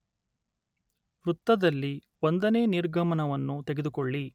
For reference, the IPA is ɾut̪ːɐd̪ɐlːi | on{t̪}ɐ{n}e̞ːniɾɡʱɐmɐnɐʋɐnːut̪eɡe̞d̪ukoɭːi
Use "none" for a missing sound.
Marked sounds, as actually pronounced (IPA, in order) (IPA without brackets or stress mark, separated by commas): d̪, n